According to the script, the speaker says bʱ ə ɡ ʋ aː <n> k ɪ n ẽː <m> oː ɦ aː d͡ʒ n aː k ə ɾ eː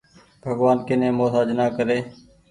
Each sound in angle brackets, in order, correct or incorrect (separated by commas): correct, correct